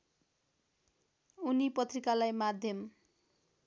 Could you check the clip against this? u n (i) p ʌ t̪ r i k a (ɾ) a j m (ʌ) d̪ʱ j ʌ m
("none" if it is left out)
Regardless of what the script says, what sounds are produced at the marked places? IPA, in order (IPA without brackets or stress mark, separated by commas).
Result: i, l, a